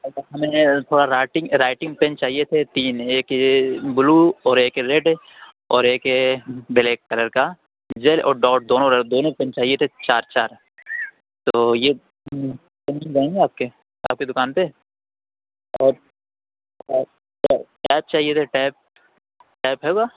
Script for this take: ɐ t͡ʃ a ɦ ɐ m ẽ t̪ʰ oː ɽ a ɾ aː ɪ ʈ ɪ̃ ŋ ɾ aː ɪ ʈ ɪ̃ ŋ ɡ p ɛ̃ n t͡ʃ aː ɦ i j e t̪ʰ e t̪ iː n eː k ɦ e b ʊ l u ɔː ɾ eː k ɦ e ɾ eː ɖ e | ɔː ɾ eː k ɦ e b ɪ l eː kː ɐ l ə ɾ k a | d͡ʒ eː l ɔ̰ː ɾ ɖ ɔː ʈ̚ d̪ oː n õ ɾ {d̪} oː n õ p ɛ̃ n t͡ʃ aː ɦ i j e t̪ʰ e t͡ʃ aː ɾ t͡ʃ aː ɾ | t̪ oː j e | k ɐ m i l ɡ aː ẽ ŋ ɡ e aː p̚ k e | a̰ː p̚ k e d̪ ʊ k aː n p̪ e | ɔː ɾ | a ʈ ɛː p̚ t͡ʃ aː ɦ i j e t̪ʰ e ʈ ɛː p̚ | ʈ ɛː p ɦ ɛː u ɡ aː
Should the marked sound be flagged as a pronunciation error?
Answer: no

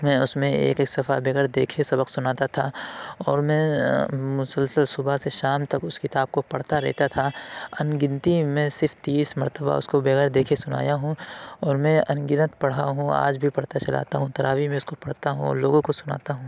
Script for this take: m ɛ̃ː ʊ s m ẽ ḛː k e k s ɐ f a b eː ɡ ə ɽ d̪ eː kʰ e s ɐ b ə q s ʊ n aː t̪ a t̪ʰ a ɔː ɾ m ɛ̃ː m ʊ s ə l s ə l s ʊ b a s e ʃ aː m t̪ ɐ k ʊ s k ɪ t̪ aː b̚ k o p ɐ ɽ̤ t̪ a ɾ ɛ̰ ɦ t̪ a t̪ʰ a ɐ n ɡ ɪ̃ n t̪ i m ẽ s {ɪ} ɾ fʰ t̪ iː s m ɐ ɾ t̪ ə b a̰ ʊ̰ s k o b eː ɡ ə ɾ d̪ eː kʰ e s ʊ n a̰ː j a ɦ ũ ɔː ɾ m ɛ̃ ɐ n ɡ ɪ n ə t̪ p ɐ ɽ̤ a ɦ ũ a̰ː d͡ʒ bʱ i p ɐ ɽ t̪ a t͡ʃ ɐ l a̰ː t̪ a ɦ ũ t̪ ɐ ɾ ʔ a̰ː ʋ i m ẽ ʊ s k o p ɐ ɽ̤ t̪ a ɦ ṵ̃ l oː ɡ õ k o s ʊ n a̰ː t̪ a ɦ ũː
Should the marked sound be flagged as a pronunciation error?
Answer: no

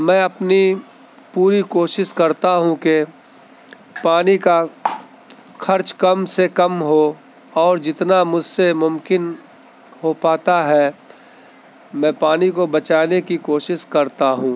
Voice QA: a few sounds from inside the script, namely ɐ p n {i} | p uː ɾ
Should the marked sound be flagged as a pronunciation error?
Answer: no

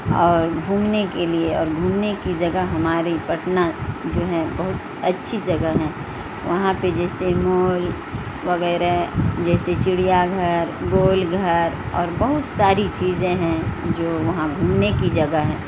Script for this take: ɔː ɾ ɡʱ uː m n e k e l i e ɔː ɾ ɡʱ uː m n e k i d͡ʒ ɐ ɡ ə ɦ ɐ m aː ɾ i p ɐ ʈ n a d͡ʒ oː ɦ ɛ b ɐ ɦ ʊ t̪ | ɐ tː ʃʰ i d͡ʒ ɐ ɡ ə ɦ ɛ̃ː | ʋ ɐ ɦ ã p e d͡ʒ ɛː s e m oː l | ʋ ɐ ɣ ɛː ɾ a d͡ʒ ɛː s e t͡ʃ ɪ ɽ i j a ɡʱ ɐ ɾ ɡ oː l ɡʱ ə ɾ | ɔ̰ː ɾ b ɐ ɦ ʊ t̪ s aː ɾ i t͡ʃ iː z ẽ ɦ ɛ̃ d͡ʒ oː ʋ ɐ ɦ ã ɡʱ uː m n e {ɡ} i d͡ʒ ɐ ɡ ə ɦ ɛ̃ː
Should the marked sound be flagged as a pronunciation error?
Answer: yes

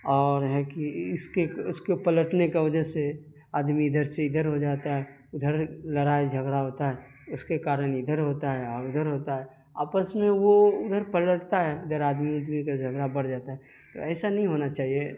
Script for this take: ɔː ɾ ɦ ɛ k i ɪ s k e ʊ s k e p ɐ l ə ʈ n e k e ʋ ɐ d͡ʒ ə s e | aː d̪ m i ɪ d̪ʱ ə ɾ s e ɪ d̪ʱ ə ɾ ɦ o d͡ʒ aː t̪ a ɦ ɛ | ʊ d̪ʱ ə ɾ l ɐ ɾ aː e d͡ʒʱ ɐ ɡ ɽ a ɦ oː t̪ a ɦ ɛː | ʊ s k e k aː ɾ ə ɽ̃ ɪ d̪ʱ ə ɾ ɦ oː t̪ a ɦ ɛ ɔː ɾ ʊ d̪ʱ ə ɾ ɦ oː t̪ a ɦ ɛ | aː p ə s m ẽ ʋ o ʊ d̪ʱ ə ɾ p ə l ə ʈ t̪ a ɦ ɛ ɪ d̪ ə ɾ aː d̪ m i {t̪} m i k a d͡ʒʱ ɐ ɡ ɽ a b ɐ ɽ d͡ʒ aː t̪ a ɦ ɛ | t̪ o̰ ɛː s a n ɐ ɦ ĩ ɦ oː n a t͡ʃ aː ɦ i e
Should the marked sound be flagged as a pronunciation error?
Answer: yes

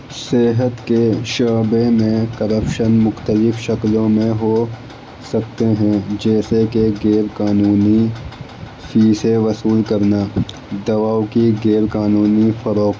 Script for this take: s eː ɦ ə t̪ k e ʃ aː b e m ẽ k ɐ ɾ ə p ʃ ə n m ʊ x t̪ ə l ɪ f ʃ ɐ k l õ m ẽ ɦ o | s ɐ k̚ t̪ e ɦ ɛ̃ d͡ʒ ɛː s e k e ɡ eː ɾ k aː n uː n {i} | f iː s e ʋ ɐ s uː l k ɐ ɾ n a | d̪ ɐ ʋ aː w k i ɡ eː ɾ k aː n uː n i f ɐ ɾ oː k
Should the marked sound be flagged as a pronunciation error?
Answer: no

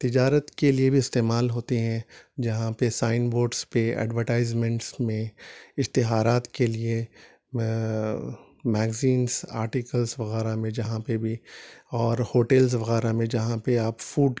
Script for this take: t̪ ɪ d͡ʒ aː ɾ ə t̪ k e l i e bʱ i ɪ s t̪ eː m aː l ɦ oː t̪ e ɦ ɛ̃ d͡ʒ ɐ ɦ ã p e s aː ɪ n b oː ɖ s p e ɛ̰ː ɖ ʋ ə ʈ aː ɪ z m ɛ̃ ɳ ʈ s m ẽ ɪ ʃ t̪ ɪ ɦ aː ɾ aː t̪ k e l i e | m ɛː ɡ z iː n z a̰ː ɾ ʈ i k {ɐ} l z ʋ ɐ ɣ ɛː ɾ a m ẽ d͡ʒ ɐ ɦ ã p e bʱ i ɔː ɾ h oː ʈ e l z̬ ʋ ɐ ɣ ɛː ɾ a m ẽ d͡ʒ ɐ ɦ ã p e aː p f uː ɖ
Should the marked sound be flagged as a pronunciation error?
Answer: yes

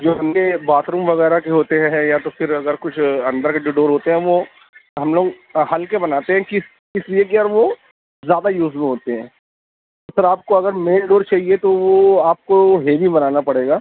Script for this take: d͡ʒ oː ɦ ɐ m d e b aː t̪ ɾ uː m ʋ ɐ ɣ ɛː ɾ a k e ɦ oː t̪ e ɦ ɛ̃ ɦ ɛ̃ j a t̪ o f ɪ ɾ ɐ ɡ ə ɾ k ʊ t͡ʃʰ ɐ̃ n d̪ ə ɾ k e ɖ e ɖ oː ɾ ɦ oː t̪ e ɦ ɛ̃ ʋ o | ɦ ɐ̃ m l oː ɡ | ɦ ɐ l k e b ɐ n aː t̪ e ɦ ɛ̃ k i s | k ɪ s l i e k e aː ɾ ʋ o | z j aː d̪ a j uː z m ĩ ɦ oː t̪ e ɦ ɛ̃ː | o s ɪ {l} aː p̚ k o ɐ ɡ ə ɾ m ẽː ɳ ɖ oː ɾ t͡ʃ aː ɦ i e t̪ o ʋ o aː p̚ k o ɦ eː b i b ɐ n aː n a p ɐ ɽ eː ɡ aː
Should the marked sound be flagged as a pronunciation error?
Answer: yes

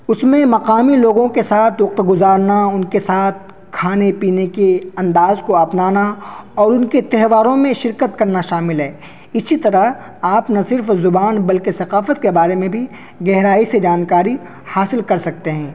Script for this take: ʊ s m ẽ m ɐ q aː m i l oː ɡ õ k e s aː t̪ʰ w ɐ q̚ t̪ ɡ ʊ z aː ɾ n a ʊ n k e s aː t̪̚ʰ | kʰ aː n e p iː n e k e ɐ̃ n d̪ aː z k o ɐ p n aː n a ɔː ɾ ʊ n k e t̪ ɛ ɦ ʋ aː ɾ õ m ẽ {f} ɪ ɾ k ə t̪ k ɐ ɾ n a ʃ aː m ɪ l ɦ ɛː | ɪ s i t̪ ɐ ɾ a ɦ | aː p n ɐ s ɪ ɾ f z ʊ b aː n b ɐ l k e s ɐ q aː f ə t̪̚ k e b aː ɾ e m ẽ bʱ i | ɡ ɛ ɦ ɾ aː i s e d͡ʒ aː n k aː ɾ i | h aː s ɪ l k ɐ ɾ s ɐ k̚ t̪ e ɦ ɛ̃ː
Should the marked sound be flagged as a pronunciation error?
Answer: yes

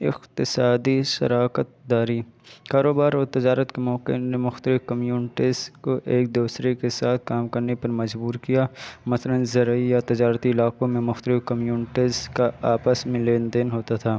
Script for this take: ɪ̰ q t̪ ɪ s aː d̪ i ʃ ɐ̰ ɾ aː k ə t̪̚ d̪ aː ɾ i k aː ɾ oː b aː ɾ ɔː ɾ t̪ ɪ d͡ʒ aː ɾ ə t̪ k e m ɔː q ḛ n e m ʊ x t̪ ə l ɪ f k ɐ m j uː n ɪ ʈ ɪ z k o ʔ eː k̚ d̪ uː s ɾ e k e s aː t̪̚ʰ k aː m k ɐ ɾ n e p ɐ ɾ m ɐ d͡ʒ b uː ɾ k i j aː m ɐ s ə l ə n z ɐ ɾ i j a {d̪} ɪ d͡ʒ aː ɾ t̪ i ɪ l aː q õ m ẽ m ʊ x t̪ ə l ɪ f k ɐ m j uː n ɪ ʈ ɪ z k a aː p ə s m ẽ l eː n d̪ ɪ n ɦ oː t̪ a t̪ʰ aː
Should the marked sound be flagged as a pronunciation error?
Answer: yes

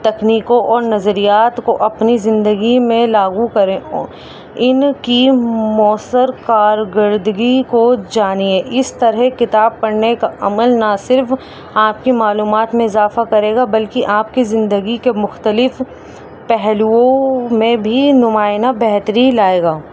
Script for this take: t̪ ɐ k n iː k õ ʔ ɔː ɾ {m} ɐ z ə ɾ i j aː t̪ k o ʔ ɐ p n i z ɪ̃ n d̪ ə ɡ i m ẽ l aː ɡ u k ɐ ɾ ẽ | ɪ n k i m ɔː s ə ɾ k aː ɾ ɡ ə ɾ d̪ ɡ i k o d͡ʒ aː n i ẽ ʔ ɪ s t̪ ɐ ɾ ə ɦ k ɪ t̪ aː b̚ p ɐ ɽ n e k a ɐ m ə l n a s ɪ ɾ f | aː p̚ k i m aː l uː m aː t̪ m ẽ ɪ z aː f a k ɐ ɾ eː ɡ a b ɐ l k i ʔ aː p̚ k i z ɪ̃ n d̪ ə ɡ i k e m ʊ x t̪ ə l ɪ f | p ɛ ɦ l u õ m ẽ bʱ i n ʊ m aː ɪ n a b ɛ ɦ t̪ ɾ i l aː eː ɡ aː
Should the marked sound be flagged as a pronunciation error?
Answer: yes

